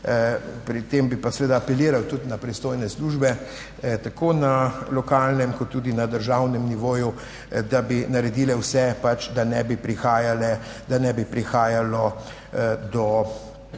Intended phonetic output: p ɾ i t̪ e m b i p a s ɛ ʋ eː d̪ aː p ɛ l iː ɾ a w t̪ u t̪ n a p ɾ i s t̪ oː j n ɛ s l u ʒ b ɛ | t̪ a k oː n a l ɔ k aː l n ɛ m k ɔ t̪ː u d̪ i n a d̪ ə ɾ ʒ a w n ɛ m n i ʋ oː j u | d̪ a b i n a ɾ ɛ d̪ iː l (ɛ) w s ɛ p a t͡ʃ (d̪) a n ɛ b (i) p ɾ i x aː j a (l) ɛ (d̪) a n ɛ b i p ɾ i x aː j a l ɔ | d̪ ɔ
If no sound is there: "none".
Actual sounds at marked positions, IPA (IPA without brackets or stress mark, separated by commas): ɛ, d̪, i, l, d̪